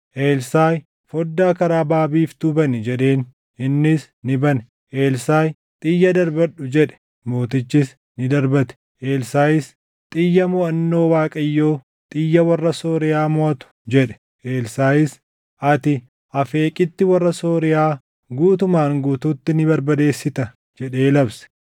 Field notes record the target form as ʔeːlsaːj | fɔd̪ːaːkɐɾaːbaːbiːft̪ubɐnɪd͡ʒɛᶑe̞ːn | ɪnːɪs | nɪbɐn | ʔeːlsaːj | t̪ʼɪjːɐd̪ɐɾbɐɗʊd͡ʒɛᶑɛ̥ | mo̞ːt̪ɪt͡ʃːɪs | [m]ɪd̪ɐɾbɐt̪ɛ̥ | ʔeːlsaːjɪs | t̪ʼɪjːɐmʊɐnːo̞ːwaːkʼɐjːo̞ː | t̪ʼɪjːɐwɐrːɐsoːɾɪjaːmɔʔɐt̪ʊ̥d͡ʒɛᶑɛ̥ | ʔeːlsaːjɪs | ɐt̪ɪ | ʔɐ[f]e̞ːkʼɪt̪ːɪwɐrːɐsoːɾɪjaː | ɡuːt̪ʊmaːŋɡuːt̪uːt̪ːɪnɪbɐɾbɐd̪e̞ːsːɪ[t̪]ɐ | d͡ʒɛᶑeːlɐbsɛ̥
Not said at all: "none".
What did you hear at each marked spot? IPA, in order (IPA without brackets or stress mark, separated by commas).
n, f, t̪